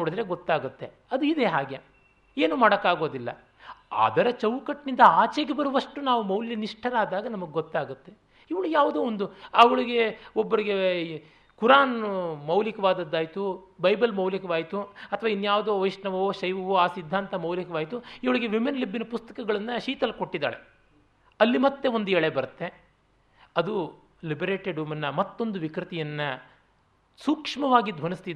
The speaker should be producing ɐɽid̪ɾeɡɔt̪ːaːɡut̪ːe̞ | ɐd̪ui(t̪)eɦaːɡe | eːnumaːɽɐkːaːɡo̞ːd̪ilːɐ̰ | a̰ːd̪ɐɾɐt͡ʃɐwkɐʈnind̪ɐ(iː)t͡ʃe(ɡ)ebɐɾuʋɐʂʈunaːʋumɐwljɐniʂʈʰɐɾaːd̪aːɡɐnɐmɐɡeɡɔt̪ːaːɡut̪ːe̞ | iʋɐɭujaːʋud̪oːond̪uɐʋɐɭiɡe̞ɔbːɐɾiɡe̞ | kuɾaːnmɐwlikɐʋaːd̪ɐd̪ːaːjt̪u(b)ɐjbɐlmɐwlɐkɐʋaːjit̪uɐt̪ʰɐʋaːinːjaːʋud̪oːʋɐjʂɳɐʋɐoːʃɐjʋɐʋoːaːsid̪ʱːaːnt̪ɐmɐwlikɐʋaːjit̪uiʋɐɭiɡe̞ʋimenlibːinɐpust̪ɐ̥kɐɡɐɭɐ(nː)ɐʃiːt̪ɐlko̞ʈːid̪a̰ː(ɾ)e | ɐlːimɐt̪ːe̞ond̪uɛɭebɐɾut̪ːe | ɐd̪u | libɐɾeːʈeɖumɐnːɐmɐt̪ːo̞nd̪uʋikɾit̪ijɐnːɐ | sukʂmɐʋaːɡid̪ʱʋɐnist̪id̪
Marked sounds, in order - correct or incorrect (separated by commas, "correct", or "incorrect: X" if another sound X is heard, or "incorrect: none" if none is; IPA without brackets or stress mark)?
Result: incorrect: d̪, incorrect: aː, correct, correct, correct, incorrect: ɭ